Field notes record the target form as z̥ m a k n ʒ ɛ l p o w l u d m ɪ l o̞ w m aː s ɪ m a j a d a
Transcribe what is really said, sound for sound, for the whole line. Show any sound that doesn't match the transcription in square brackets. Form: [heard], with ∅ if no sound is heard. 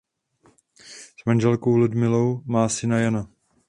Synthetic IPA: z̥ m a [∅] n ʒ ɛ l [k] o w l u d m ɪ l o̞ w m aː s ɪ [n] a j a [n] a